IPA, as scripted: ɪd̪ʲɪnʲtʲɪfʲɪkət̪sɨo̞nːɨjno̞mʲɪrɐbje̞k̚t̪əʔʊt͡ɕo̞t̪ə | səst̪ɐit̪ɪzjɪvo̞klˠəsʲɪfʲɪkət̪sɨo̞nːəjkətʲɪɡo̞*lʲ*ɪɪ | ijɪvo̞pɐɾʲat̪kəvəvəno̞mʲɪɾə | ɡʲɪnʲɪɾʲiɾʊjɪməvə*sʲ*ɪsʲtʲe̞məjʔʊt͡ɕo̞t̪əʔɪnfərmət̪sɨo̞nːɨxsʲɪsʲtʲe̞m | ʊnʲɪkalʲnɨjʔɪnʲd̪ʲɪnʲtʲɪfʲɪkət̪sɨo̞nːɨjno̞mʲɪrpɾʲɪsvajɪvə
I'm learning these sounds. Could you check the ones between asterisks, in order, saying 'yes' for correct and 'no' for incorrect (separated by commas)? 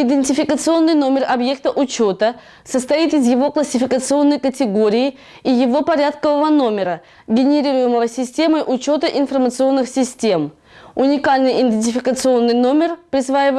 no, yes